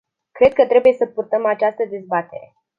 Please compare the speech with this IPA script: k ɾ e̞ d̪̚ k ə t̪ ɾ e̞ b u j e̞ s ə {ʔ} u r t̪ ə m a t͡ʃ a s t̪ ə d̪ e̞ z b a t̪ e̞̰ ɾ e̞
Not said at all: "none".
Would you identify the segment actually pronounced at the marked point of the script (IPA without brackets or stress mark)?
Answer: p